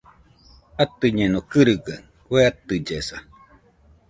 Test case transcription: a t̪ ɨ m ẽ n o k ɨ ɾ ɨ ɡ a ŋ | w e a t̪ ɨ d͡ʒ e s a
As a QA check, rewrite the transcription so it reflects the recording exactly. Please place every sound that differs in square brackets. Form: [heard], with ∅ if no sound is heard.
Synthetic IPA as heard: a t̪ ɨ [ɲ] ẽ n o k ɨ ɾ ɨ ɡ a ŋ | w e a t̪ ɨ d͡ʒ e s a